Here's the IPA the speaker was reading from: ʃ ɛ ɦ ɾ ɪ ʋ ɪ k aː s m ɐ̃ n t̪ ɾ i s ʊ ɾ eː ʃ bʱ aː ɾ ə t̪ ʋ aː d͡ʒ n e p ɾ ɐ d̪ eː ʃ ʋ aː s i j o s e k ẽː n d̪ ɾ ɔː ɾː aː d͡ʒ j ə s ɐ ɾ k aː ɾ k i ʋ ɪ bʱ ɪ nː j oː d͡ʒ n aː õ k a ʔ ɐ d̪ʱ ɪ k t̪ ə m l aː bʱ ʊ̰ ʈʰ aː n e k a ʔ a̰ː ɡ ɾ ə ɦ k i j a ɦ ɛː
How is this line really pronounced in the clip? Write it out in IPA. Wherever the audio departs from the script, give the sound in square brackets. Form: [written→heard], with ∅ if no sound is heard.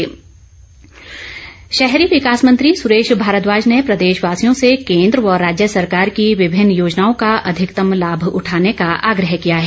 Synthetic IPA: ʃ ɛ ɦ ɾ [ɪ→i] ʋ ɪ k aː s m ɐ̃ n t̪ ɾ i s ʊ ɾ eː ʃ bʱ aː ɾ ə t̪ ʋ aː d͡ʒ n e p ɾ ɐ d̪ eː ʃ ʋ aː s i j [o→õ] s e k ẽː n d̪ ɾ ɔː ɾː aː d͡ʒ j ə s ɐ ɾ k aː ɾ k i ʋ ɪ bʱ ɪ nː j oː d͡ʒ n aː õ k a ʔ ɐ d̪ʱ ɪ k t̪ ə m l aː bʱ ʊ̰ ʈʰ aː n e k a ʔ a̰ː ɡ ɾ ə ɦ k i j a ɦ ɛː